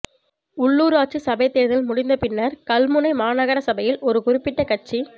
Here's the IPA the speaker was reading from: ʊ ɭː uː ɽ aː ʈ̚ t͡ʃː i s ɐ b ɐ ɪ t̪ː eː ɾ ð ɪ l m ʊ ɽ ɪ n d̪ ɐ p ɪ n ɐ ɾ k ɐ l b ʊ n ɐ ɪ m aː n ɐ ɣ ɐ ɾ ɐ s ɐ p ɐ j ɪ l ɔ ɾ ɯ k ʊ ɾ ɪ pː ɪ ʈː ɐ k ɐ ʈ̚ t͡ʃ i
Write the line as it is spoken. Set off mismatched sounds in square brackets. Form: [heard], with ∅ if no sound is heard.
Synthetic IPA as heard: ʊ ɭː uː [ɾ] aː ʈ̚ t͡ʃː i s ɐ b ɐ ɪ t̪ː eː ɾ ð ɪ l m ʊ ɽ ɪ n d̪ ɐ p ɪ [nː] ɐ ɾ k ɐ l [m] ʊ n ɐ ɪ m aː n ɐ ɣ ɐ ɾ ɐ s ɐ [b] ɐ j ɪ l ɔ ɾ ɯ k ʊ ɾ ɪ pː ɪ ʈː ɐ k ɐ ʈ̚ t͡ʃ i